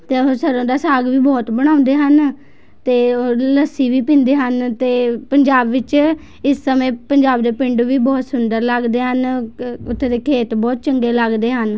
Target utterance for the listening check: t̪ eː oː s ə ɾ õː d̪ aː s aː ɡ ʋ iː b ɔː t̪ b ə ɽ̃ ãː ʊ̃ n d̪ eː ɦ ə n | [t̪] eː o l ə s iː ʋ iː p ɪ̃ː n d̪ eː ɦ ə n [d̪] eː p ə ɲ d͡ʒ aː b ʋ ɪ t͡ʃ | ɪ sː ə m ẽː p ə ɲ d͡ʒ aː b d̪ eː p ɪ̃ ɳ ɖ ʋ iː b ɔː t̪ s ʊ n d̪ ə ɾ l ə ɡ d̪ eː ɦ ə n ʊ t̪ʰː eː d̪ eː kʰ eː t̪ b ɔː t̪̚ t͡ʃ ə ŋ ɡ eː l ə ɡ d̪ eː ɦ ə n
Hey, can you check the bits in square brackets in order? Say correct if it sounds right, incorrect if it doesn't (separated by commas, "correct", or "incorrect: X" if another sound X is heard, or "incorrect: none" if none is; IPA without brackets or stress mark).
correct, incorrect: t̪